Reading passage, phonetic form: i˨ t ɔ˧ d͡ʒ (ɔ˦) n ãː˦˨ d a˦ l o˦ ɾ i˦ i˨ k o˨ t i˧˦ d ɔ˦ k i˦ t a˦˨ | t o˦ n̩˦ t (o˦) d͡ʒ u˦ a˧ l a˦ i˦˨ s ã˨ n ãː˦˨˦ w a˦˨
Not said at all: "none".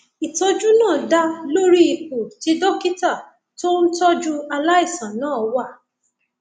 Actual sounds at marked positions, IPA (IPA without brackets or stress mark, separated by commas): u˦, ɔ˦